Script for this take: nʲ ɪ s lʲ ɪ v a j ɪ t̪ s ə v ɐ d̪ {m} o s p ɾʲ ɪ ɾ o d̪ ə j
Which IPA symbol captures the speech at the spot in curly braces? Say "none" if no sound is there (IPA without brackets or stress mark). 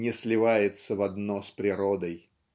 n